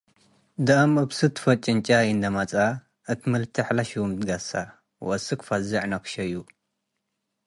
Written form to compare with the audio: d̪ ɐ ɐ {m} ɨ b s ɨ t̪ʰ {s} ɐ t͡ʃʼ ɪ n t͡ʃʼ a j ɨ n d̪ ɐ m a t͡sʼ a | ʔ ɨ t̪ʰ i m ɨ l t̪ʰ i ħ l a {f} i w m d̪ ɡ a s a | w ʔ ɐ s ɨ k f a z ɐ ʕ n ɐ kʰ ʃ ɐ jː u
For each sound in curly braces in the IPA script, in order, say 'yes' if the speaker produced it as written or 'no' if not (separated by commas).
yes, no, no